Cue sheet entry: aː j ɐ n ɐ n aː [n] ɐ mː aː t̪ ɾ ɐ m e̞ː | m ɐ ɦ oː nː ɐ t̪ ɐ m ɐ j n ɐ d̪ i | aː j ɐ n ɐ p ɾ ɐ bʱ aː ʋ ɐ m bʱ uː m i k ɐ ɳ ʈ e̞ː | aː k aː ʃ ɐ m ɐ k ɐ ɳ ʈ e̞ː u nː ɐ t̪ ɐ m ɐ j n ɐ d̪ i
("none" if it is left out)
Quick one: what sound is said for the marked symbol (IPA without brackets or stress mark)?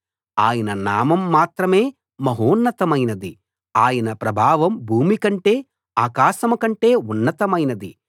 m